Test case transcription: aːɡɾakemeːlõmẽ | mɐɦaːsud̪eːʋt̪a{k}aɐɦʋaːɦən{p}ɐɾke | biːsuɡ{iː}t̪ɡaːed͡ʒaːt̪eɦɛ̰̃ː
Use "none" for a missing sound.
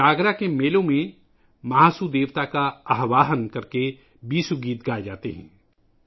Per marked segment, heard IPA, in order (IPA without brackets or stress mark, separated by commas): k, k, iː